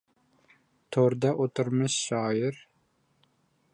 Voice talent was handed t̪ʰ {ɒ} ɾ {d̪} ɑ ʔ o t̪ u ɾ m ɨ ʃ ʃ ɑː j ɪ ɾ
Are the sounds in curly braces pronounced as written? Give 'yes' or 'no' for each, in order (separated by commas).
no, yes